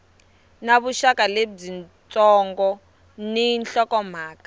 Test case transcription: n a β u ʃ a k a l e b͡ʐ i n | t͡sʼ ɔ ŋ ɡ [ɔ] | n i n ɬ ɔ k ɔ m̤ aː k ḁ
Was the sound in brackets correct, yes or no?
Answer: yes